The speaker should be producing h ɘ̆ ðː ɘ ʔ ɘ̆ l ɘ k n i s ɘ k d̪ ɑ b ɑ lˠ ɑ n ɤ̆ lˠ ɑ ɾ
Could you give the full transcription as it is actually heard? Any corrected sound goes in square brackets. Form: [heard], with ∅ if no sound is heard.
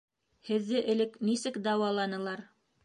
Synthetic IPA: h ɘ̆ ðː ɘ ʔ ɘ̆ l ɘ k n i s ɘ k d̪ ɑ [w] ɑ lˠ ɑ n ɤ̆ lˠ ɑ ɾ